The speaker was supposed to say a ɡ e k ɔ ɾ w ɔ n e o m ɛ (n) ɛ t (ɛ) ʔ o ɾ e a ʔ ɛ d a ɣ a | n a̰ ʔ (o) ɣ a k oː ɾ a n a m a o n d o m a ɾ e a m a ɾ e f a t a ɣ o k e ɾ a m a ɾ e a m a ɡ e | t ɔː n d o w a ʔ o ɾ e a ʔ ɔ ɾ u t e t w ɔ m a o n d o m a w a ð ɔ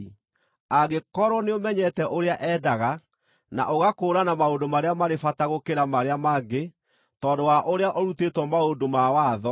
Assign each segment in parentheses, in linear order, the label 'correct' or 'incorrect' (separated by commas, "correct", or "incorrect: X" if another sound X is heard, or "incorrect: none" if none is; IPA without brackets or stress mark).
incorrect: ɲ, correct, correct